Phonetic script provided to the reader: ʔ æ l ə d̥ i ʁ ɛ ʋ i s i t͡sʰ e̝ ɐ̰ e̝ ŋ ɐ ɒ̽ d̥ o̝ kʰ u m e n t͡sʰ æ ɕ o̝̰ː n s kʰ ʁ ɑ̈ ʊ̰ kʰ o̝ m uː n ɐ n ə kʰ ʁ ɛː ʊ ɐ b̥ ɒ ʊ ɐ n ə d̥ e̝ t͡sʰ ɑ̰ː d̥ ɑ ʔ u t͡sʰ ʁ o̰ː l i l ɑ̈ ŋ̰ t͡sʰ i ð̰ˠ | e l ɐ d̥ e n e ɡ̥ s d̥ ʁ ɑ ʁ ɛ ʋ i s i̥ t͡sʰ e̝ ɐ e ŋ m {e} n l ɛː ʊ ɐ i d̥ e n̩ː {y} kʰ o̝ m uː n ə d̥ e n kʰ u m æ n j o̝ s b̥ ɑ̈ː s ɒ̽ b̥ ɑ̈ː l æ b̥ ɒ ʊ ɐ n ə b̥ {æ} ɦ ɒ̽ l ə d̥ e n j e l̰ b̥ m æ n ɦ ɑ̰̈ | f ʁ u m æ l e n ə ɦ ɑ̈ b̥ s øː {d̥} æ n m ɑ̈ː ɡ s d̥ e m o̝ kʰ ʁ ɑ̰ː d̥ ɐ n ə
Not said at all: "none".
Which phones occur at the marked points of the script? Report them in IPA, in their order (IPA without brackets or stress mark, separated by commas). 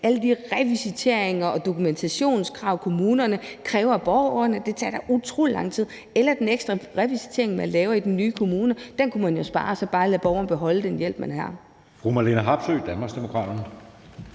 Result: æ, yː, e, d̥